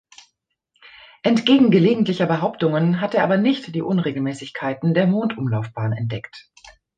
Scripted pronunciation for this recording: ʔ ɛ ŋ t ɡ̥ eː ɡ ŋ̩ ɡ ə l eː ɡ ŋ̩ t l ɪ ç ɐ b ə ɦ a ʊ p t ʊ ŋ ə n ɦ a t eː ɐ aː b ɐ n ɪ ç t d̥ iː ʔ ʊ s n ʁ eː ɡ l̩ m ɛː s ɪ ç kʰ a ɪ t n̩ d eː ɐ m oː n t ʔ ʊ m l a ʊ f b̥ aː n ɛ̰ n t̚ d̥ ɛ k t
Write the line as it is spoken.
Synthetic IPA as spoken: ʔ ɛ n t ɡ̥ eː ɡ ŋ̩ ɡ ə l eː ɡ ŋ̩ t l ɪ ç ɐ b ə ɦ a ʊ p t ʊ ŋ ə n ɦ a t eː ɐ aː b ɐ n ɪ ç t d̥ iː ʔ ʊ n ʁ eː ɡ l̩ m ɛː s ɪ ç kʰ a ɪ t n̩ d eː ɐ m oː n t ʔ ʊ m l a ʊ f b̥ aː n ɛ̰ n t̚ d̥ ɛ k t